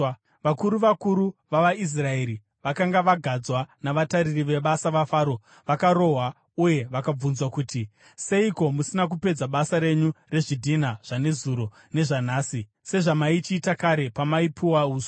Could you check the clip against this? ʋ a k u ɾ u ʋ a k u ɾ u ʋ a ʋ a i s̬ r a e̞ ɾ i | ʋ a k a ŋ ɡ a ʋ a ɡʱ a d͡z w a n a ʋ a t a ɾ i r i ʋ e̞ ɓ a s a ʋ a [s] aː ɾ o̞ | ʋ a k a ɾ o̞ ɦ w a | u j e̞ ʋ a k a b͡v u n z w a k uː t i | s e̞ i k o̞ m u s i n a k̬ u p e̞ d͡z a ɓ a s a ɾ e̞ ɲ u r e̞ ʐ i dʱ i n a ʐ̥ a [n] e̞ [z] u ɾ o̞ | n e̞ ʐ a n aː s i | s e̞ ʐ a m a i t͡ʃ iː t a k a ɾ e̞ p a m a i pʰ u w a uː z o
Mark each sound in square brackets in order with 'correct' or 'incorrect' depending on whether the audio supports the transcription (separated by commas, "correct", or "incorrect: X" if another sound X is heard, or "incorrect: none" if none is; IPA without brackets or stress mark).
incorrect: f, correct, correct